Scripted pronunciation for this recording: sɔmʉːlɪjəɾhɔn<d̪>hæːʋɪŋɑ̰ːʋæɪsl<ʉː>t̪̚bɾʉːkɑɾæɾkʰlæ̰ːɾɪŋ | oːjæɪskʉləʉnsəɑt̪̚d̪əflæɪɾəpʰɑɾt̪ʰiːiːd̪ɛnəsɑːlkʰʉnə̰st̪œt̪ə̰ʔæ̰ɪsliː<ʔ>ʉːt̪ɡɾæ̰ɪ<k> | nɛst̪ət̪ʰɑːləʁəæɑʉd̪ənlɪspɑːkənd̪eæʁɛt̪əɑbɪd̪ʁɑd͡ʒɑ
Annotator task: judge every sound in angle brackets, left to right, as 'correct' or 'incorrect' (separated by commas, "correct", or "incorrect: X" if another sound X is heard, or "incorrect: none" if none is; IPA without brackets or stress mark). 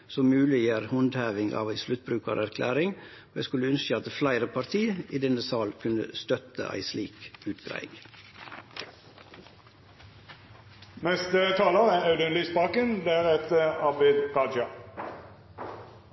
correct, incorrect: ʉ, incorrect: k, incorrect: ɡ